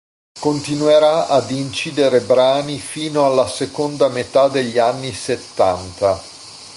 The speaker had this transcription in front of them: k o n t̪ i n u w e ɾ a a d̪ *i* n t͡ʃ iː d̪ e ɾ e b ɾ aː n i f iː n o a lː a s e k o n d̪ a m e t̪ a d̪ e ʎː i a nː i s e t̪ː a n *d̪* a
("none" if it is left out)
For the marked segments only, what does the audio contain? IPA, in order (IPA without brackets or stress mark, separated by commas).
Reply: i, t̪